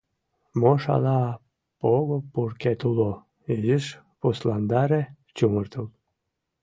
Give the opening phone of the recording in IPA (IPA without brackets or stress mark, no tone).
m